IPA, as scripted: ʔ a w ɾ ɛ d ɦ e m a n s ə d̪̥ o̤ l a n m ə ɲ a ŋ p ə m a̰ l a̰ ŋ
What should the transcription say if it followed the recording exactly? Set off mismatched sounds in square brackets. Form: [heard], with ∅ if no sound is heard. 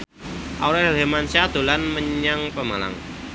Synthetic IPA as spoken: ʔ a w ɾ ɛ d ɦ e m a n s [a] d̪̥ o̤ l a n m ə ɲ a ŋ p ə m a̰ l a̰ ŋ